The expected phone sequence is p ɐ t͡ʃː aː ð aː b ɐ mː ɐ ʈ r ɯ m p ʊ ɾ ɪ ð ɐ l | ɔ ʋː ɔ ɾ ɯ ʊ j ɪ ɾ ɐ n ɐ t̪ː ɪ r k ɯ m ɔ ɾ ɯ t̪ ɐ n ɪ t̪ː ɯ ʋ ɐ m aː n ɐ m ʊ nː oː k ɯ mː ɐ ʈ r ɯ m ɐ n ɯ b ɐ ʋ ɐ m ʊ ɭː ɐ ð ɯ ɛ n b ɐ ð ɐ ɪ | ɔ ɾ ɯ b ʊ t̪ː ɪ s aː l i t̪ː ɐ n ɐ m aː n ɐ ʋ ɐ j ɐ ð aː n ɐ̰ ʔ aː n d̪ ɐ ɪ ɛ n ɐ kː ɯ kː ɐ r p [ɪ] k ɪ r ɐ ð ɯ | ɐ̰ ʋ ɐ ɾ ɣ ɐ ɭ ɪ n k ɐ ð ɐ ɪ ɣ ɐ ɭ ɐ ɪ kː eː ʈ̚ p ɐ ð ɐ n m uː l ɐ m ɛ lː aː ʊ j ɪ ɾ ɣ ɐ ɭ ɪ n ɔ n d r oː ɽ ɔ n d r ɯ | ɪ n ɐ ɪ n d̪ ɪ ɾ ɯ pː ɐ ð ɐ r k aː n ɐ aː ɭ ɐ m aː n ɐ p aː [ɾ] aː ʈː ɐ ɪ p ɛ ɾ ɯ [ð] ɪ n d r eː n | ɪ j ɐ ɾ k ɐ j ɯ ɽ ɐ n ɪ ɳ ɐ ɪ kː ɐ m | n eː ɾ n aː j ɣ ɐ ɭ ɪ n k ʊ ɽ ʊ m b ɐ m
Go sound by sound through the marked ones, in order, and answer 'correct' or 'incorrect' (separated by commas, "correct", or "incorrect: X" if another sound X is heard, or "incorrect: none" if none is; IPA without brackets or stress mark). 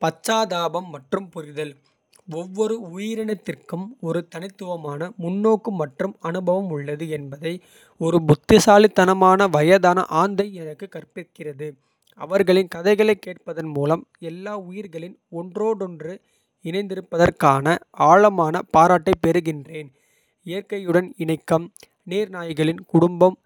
correct, correct, incorrect: ɣ